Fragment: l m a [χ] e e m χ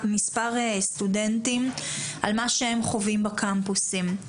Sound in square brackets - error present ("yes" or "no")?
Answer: yes